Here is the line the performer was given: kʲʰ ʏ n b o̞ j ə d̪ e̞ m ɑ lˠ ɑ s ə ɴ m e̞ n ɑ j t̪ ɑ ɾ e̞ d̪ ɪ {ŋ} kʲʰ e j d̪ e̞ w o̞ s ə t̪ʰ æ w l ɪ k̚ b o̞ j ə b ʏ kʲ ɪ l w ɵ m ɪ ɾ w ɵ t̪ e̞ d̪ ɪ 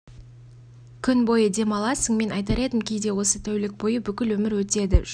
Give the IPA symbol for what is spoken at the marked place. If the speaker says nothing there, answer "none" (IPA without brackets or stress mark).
m